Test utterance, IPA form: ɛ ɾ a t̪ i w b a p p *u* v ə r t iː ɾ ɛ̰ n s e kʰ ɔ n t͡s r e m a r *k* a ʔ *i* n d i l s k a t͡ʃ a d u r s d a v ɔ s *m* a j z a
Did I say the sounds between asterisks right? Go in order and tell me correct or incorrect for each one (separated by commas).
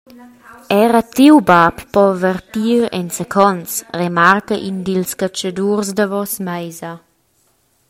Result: incorrect, correct, correct, correct